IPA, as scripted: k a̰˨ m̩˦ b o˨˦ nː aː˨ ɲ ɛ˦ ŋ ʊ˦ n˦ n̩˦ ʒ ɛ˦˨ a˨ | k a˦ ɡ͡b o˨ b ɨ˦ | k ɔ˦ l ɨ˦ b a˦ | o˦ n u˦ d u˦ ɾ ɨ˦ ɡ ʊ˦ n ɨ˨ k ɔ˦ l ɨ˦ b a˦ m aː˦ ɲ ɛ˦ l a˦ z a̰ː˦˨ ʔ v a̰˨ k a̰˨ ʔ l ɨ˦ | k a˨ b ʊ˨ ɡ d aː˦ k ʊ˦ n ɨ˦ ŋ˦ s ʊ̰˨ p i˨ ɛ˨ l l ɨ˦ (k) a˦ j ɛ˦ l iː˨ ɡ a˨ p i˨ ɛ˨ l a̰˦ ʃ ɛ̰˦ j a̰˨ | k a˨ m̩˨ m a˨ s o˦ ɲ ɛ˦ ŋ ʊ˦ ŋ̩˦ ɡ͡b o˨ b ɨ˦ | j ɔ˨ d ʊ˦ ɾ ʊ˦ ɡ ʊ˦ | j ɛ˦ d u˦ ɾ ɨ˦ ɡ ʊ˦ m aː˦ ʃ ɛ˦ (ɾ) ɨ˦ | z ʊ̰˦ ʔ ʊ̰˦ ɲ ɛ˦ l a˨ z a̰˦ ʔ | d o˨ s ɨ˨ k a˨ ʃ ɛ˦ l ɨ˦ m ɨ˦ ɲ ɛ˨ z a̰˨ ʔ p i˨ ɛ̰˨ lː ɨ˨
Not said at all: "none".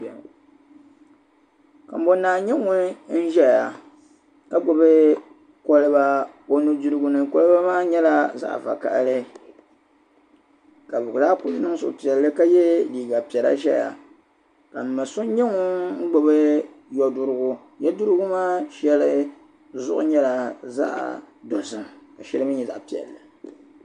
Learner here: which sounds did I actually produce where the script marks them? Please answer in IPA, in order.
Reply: k, l

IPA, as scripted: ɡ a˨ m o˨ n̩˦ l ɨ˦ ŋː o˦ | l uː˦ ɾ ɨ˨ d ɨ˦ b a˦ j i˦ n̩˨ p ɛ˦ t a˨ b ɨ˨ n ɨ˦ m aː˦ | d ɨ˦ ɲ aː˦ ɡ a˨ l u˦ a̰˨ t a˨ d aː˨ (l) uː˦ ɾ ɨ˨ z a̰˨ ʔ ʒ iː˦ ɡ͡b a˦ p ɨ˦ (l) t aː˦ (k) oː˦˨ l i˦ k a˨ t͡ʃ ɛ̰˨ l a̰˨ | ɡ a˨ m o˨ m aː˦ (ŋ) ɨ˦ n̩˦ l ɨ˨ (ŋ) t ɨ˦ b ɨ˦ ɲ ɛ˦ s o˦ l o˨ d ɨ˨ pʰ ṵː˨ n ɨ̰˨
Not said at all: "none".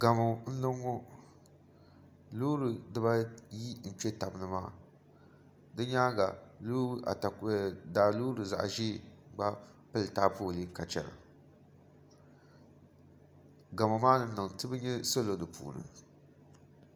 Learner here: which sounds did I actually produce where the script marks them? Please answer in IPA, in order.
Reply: l, l, p, n, ŋ

